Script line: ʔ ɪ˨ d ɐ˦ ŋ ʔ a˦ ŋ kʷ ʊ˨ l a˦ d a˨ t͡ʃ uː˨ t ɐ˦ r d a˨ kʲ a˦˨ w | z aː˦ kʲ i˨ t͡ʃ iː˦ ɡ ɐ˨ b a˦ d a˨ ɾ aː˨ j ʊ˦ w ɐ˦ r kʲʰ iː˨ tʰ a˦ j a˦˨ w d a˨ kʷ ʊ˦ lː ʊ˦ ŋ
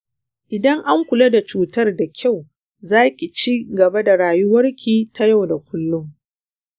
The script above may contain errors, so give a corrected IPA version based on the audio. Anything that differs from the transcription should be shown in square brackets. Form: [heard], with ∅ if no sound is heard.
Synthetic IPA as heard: ʔ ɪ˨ d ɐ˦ ŋ ʔ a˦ ŋ kʷ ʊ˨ l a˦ d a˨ t͡ʃ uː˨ t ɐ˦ r d a˨ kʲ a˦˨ w | z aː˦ kʲ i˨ t͡ʃ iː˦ ɡ ɐ˨ b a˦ d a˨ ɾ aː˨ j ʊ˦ w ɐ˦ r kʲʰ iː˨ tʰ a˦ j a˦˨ w d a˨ kʷ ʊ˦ lː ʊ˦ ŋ

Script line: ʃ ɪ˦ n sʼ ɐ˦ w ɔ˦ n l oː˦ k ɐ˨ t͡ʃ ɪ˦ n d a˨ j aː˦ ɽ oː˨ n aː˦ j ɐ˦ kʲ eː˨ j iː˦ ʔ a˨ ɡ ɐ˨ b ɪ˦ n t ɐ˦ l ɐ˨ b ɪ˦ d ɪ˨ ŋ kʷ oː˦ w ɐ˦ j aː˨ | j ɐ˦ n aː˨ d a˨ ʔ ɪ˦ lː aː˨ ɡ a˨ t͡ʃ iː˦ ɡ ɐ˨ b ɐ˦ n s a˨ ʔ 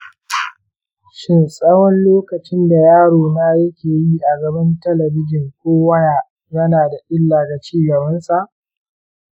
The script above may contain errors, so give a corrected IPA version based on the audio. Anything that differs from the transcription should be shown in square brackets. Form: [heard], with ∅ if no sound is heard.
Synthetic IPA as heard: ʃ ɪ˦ n sʼ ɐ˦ w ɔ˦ n l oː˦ k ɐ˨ t͡ʃ ɪ˦ n d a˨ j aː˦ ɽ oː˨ n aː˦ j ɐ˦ kʲ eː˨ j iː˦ ʔ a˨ ɡ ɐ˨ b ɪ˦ n t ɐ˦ l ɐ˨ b ɪ˦ [d͡ʒ] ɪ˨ ŋ kʷ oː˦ w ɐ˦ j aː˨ | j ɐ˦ n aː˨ d a˨ ʔ ɪ˦ lː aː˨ ɡ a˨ t͡ʃ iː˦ ɡ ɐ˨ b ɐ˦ n s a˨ ʔ

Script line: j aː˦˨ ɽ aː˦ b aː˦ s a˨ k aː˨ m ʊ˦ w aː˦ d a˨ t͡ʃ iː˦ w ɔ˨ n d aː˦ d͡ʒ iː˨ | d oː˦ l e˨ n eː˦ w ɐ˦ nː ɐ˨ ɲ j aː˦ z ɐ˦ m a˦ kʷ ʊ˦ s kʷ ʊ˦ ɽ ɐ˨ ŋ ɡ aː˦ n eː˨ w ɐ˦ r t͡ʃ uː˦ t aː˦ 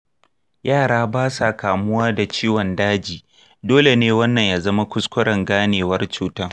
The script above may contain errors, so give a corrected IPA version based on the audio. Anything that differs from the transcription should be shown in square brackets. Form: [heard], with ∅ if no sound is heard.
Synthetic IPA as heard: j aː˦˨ ɽ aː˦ b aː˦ s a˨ k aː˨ m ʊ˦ w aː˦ d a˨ t͡ʃ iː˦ w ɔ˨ n d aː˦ d͡ʒ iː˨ | d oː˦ l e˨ n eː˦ w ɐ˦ nː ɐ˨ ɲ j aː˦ z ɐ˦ m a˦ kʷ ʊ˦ s kʷ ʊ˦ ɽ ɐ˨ ŋ ɡ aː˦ n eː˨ w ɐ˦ r t͡ʃ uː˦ t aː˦

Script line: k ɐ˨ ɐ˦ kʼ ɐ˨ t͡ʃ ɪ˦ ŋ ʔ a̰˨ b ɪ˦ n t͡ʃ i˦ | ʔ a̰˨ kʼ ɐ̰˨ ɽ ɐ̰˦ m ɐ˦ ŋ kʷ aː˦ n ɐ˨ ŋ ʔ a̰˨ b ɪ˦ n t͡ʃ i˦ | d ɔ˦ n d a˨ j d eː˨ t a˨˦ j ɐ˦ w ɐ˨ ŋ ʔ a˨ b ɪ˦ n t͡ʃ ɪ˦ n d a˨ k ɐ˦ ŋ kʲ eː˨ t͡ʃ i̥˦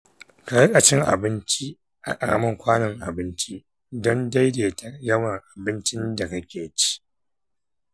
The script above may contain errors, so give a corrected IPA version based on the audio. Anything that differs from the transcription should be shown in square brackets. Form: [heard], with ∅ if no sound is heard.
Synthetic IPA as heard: k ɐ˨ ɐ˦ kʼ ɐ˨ t͡ʃ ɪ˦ ŋ ʔ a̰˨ b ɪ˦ n t͡ʃ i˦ | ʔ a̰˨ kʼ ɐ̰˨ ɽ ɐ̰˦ m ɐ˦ ŋ kʷ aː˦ n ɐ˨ ŋ ʔ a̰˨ b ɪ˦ n t͡ʃ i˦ | d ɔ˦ n d [a˦] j d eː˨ t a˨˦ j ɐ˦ w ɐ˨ ŋ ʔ a˨ b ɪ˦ n t͡ʃ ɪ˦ n d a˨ k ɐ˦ [∅] kʲ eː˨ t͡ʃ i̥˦

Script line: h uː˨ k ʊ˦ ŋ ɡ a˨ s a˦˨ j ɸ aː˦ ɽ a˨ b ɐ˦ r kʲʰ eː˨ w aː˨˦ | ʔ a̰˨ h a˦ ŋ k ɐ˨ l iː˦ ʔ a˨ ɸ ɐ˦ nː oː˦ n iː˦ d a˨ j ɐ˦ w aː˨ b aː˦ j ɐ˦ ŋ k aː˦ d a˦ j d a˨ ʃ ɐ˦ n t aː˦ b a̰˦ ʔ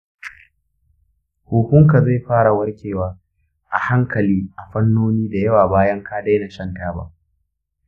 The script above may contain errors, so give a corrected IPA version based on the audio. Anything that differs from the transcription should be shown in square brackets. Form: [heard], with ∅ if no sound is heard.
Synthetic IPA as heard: h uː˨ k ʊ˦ ŋ [k] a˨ [z] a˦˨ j ɸ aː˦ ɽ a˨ [w] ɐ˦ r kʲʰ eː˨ w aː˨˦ | ʔ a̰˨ h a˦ ŋ k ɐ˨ l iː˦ ʔ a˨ ɸ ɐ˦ nː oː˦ n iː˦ d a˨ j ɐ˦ w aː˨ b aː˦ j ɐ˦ ŋ k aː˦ d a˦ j [n] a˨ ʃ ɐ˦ n t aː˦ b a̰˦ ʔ

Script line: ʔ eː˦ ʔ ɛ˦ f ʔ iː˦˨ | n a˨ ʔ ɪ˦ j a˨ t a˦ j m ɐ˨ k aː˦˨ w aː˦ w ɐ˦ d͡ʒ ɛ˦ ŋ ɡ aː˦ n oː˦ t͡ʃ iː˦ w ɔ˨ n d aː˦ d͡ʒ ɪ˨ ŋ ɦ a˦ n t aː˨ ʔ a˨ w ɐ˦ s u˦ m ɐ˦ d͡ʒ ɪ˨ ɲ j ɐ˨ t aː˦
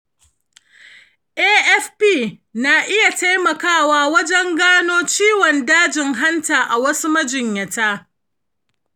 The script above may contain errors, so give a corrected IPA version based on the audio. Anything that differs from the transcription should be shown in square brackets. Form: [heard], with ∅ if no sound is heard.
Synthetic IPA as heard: ʔ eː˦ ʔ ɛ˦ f [p] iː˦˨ | n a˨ ʔ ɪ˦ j a˨ t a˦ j m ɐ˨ k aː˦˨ w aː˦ w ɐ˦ d͡ʒ ɛ˦ ŋ ɡ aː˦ n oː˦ t͡ʃ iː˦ w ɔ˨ n d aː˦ d͡ʒ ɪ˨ ŋ ɦ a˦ n t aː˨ ʔ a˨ w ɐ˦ s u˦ m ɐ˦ d͡ʒ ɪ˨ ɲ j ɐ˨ t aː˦

